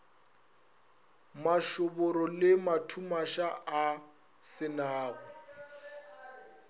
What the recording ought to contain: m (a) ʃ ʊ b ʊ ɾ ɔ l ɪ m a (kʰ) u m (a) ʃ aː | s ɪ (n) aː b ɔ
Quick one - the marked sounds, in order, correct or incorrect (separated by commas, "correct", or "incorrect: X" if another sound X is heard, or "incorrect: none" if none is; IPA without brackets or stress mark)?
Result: correct, incorrect: tʰ, correct, correct